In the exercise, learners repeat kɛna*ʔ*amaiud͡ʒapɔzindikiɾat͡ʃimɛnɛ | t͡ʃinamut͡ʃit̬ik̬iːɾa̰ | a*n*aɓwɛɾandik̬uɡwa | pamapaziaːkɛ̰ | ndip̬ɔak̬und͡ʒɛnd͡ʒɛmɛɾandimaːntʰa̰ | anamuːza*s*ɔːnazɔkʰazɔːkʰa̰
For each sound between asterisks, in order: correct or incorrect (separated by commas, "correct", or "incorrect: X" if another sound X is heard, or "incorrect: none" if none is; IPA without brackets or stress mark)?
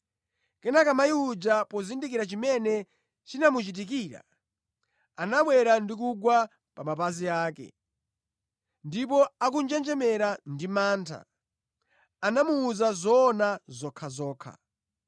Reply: incorrect: k, correct, incorrect: z